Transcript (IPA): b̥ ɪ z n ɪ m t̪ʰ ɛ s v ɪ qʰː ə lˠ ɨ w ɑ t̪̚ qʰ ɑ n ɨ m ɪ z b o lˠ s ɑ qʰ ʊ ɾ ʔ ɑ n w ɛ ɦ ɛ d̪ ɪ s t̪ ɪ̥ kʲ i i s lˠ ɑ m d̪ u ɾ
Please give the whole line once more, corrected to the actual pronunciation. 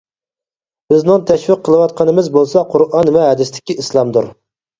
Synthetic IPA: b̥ ɪ z n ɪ ŋ t̪ʰ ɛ ʃ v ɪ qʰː ə lˠ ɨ w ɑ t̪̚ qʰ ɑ n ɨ m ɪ z b o lˠ s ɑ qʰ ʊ ɾ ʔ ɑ n v ɛ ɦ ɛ d̪ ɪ s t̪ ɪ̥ kʲ i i s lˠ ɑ m d̪ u ɾ